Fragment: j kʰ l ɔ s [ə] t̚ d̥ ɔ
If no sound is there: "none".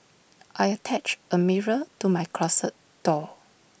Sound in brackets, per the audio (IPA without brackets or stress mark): ə